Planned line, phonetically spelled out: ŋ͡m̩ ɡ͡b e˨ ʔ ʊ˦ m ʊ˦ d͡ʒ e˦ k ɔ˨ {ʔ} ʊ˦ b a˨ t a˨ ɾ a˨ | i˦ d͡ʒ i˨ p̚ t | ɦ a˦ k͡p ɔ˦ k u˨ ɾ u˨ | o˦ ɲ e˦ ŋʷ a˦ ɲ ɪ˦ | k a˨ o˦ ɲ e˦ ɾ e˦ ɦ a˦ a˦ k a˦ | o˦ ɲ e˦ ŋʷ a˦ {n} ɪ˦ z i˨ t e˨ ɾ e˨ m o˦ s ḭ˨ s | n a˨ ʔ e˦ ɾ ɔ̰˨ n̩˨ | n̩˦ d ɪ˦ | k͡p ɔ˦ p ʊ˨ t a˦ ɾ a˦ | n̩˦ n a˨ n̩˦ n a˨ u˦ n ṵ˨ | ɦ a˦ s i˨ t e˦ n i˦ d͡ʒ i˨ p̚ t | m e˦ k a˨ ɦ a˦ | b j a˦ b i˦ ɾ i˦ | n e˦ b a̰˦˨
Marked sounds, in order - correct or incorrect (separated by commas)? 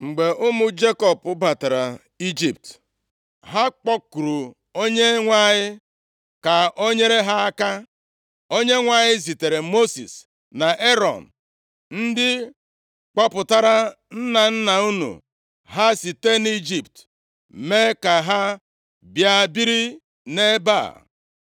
incorrect, incorrect